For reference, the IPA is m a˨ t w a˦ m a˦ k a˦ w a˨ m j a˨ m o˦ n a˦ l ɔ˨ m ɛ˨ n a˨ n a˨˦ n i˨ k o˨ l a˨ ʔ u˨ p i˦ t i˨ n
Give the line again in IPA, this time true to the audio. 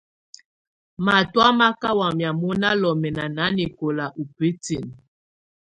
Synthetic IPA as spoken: m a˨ t w a˦ m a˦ k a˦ w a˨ m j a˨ m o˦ n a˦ l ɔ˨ m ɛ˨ n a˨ n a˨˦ n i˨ k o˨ l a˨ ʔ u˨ p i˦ t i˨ n